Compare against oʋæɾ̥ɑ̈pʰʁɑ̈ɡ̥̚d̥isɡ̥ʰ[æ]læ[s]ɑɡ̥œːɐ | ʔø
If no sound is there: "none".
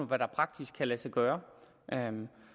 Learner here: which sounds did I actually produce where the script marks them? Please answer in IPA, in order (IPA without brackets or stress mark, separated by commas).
æ, s